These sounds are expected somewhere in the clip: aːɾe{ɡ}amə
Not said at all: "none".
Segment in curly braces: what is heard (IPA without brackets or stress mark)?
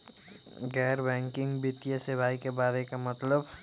k